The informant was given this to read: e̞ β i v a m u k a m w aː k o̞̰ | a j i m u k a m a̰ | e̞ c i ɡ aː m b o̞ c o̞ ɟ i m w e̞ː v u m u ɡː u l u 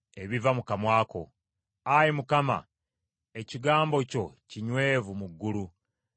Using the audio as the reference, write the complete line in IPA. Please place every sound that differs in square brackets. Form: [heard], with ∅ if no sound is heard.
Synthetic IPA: e̞ β i v a m u k a m w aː k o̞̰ | a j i m u k a m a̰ | e̞ c i ɡ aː m b o̞ c o̞ [c] i [ɲ] w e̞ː v u m u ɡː u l u